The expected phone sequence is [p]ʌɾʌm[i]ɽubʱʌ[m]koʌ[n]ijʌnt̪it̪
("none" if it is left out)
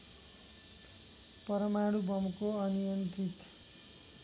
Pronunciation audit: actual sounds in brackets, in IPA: p, a, m, n

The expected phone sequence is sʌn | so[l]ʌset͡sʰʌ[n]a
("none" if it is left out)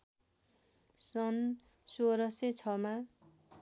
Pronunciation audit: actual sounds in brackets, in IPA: ɾ, m

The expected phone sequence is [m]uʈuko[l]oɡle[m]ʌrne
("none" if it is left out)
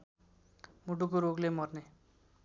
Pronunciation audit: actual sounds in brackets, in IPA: m, ɾ, m

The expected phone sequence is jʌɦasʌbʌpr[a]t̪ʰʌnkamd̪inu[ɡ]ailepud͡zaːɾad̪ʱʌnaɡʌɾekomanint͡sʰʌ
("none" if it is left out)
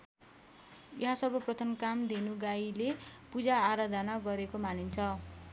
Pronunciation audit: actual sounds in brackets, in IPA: ʌ, ɡ

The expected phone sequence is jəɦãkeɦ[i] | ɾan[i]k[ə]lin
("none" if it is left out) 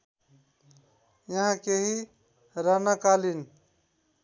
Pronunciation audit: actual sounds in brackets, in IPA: i, a, a

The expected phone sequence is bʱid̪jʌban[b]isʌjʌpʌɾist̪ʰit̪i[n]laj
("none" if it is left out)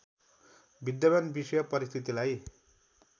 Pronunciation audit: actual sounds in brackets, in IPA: b, none

